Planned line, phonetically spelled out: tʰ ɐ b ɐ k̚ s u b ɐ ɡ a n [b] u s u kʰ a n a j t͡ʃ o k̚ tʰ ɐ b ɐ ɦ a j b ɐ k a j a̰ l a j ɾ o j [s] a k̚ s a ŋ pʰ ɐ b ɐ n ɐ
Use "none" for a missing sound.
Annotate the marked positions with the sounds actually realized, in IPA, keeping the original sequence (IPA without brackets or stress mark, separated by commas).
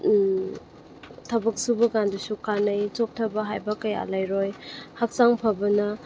d, h